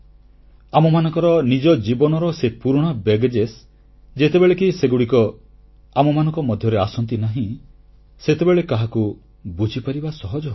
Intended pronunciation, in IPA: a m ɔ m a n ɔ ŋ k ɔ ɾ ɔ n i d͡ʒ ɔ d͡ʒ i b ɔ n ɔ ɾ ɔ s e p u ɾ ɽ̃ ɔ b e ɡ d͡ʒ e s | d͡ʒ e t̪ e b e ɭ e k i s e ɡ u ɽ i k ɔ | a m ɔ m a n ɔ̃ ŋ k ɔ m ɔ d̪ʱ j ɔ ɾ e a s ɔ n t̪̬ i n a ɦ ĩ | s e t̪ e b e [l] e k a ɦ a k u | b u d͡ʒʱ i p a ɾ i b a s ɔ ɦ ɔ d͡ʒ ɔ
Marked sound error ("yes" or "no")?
yes